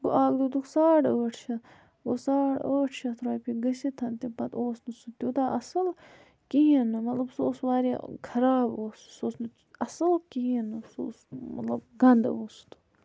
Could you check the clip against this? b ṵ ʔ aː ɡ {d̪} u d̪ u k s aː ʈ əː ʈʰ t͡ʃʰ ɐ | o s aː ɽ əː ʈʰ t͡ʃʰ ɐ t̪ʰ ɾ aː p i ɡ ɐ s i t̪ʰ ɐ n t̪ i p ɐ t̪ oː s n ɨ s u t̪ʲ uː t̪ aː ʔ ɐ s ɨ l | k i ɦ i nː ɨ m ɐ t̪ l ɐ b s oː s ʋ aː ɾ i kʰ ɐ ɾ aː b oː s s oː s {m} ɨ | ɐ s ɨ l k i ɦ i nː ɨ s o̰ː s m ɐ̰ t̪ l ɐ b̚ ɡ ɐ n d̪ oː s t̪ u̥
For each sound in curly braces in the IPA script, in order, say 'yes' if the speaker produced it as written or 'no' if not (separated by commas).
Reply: yes, no